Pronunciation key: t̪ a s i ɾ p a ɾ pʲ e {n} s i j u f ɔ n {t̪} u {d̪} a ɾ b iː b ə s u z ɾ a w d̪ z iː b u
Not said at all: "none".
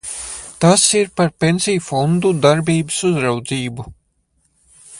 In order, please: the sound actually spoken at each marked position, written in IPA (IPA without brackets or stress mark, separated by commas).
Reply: n, d̪, d̪